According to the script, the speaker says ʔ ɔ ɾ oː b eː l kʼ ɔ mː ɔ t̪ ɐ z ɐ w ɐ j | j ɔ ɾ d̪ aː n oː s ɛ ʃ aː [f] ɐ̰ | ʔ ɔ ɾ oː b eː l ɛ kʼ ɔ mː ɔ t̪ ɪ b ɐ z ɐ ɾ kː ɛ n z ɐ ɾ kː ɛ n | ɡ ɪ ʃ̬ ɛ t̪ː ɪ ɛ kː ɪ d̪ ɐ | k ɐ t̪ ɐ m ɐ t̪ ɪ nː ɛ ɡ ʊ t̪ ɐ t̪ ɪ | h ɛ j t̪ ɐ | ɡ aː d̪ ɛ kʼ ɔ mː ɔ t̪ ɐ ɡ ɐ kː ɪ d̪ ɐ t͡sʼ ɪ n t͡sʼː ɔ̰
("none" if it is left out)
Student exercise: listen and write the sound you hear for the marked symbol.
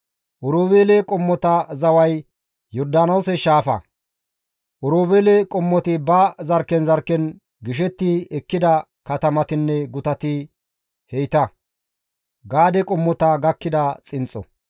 f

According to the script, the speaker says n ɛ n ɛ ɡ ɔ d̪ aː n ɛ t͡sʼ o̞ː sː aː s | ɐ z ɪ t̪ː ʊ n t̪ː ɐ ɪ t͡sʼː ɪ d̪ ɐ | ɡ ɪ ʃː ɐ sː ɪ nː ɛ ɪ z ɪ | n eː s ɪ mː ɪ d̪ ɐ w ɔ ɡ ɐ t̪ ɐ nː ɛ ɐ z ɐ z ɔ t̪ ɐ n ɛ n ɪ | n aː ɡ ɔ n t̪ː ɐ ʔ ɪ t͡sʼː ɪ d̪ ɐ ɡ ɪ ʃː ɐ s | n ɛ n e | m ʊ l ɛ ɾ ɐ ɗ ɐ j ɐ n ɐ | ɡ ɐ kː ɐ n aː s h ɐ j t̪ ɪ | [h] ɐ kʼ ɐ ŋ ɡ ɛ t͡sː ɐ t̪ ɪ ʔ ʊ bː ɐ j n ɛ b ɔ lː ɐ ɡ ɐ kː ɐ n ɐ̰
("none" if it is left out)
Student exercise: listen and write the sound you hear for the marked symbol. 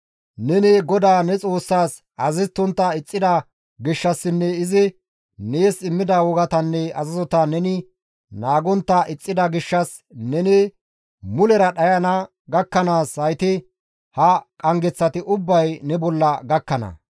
h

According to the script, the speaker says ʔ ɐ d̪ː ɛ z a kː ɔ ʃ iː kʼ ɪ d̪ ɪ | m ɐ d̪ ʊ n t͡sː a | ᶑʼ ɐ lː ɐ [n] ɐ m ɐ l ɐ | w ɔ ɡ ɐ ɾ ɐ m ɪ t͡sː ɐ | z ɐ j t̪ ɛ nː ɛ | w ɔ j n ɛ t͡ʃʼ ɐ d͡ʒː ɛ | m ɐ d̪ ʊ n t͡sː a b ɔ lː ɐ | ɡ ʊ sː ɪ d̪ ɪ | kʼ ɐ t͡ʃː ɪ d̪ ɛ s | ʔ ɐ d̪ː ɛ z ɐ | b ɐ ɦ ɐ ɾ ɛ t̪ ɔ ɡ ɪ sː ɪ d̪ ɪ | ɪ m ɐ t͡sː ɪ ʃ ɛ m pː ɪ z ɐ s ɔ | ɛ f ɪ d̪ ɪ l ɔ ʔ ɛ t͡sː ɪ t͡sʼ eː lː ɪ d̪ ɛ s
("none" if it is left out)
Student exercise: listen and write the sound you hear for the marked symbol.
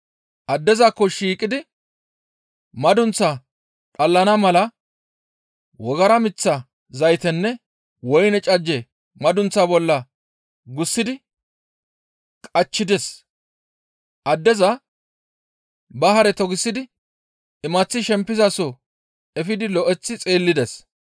n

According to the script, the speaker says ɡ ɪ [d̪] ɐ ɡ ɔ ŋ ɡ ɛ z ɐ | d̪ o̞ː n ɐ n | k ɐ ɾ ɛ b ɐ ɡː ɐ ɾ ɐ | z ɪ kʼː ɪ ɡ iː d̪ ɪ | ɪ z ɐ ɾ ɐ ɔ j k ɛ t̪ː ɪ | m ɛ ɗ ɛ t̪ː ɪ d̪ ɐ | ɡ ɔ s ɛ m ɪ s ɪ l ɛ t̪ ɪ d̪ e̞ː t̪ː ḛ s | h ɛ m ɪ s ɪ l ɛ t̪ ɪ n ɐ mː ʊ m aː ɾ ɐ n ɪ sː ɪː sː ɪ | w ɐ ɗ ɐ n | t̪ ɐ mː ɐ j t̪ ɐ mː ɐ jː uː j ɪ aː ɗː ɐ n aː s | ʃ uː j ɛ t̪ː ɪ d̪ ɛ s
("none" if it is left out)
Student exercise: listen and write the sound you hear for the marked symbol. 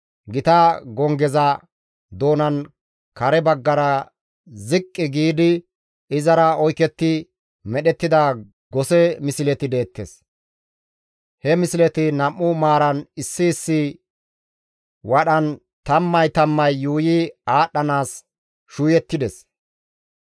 t̪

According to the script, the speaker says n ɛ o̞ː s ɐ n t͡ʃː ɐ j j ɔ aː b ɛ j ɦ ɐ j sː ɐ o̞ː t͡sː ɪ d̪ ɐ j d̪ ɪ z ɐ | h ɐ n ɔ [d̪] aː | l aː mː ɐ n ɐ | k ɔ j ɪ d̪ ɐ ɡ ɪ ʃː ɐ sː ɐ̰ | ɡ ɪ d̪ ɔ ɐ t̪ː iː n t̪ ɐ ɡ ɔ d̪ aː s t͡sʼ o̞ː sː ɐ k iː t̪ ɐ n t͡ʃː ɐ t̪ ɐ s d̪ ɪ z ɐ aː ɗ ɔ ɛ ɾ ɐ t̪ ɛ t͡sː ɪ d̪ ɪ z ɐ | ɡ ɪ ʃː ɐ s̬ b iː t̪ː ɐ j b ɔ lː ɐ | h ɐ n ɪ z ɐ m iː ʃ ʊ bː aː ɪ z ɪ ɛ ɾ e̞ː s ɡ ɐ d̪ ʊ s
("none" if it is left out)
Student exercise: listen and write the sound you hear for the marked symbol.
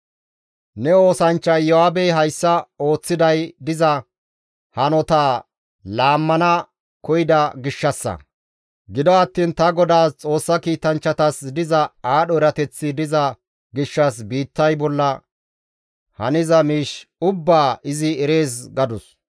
t̪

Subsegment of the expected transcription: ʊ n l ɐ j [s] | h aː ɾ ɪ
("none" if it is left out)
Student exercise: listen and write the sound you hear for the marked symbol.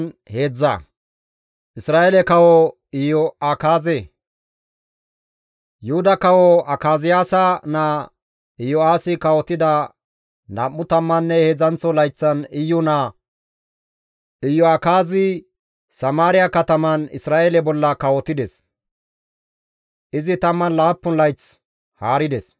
t͡s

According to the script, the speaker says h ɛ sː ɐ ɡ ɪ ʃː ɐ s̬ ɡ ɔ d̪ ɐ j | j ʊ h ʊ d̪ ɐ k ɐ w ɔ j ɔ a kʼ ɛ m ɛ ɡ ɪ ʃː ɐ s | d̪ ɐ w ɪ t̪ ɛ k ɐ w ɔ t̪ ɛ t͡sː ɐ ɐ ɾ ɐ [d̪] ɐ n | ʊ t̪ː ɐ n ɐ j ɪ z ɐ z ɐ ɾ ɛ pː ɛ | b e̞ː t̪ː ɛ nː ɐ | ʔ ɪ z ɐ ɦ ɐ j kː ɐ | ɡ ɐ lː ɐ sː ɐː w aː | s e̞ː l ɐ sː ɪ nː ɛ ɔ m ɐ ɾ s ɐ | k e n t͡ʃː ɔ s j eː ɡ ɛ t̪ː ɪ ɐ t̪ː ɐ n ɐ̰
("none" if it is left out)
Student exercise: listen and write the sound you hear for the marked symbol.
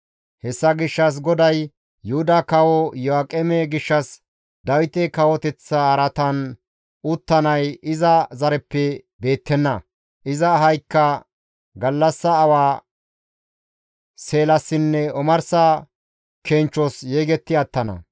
t̪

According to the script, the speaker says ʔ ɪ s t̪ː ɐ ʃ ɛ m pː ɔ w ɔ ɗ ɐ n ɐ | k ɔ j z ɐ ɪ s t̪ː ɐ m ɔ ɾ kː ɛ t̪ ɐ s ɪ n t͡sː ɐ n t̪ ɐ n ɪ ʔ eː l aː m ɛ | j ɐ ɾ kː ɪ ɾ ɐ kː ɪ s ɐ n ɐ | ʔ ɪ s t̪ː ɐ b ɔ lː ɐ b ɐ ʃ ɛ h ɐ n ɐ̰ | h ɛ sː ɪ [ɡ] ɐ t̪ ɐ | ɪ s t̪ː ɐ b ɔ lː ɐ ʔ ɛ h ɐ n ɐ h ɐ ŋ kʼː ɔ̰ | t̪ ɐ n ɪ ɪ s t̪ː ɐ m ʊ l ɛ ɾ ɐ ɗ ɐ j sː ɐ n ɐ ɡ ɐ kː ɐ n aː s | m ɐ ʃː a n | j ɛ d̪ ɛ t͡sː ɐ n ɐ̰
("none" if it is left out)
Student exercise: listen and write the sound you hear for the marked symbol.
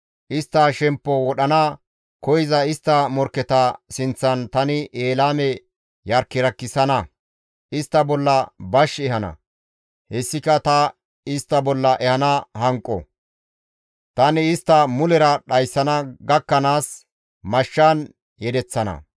k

